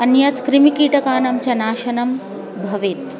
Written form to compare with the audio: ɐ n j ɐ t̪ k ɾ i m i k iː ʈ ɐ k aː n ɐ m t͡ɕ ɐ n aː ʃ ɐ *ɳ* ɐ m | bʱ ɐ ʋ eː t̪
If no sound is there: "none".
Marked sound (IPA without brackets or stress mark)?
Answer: n